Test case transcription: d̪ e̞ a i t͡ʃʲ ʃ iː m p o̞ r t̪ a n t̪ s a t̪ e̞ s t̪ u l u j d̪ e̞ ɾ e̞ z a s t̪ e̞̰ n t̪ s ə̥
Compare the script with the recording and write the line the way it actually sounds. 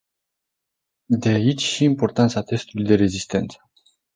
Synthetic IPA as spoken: d̪ e̞ a i t͡ʃʲ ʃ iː m p o̞ r t̪ a n t̪ s a t̪ e̞ s t̪ u l u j d̪ e̞ ɾ e̞ z i s t̪ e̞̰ n t̪ s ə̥